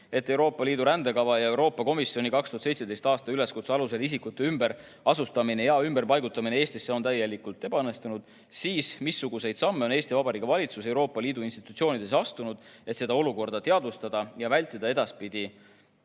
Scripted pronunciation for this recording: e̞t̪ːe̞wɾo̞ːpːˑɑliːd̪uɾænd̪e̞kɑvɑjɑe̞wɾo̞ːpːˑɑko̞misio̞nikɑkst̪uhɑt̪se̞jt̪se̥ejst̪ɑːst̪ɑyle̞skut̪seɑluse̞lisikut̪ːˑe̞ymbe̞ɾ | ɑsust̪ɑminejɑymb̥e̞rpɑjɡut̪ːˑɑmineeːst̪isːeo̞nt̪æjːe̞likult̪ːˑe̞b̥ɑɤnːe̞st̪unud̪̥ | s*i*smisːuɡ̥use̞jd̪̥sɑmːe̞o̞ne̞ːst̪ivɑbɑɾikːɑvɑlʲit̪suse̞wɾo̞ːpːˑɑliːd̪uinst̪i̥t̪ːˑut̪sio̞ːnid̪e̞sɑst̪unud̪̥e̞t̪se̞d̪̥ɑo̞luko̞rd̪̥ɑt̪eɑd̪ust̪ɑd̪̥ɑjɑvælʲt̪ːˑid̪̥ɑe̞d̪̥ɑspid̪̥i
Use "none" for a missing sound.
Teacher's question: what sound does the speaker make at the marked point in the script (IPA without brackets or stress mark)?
iː